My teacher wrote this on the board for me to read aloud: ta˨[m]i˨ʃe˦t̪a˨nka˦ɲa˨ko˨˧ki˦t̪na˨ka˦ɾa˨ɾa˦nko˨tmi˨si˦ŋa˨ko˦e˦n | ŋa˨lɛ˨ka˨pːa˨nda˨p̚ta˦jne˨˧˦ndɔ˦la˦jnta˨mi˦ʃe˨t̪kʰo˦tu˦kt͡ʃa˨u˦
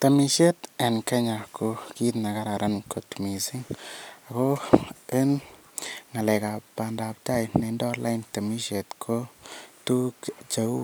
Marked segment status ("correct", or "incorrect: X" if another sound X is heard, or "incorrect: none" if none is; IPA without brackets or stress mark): correct